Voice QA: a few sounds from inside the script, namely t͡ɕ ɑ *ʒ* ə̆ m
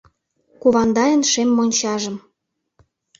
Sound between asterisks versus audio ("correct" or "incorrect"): correct